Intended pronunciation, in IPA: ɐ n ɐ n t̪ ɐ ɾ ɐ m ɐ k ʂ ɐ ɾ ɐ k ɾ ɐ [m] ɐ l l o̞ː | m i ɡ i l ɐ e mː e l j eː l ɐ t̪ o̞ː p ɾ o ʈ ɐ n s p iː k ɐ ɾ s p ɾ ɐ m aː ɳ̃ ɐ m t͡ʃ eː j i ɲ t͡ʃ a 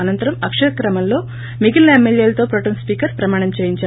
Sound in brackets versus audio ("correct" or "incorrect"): correct